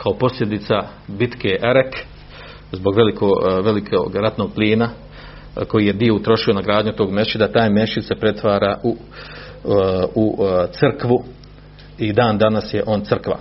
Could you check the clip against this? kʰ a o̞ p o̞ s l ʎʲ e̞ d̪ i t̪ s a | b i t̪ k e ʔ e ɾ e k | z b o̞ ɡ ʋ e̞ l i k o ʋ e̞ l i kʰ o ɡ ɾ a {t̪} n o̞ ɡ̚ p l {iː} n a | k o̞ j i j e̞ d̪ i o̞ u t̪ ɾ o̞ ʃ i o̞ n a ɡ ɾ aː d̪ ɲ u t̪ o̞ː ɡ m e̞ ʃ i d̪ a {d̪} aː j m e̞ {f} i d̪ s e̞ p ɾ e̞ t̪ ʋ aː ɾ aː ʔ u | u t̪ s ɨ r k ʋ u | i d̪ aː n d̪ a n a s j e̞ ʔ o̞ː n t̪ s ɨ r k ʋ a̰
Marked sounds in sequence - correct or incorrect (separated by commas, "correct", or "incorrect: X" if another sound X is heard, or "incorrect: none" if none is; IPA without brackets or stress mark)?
correct, correct, incorrect: t̪, incorrect: ʃ